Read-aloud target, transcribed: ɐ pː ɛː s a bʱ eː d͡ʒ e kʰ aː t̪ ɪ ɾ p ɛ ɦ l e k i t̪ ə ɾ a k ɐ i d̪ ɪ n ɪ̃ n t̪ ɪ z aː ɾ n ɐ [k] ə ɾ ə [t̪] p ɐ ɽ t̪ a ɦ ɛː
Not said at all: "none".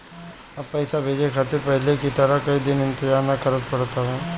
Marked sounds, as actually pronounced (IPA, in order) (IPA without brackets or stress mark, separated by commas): k, t̪